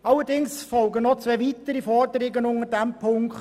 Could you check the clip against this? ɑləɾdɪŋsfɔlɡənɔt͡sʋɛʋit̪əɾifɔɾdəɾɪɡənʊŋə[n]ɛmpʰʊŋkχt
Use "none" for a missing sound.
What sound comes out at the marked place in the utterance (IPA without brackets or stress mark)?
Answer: d